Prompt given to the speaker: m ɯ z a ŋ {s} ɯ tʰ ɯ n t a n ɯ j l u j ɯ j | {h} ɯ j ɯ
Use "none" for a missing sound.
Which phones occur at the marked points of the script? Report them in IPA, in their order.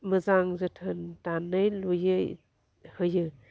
z, h

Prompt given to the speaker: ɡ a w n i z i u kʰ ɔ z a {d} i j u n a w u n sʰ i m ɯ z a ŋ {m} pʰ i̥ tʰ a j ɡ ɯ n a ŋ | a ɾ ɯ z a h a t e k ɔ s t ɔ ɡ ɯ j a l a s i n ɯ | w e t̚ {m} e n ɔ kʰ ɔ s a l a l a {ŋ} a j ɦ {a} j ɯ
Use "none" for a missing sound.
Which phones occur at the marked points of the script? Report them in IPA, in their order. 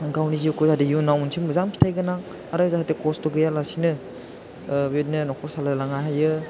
d, m, n, ŋ, a

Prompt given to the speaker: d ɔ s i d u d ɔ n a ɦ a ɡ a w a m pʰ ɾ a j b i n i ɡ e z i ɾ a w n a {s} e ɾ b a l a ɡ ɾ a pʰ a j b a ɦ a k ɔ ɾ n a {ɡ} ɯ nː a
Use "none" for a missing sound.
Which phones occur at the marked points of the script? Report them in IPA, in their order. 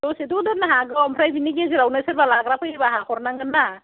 s, ŋ

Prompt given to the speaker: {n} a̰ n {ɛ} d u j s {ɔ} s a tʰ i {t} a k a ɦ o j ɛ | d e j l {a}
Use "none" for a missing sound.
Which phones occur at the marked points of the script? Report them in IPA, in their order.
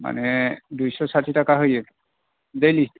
m, ɛ, ɔ, t, i

